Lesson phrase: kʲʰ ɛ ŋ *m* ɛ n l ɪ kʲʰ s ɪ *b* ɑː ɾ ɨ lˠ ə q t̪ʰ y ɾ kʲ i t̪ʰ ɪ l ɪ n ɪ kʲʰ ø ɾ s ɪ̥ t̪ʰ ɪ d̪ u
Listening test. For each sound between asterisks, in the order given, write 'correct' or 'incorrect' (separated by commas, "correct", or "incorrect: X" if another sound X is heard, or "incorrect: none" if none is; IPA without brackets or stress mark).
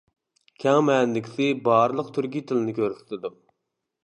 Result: correct, correct